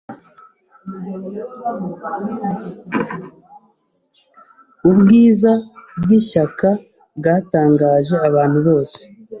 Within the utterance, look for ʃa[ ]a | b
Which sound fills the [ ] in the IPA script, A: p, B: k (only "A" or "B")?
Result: B